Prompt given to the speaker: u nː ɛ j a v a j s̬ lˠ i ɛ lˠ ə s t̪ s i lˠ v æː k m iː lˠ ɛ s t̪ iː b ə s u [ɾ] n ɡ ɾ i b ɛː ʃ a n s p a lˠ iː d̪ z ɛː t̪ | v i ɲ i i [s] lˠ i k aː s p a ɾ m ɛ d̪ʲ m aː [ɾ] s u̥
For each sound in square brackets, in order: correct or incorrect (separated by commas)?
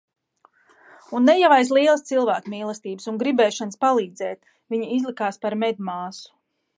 incorrect, incorrect, incorrect